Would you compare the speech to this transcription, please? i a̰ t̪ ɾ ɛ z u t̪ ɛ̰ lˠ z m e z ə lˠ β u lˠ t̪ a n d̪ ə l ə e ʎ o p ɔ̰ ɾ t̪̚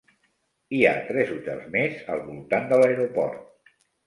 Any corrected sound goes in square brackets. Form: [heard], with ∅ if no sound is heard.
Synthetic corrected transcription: i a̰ t̪ ɾ ɛ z u t̪ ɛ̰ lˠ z m e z ə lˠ β u lˠ t̪ a n d̪ ə l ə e [ɾ] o p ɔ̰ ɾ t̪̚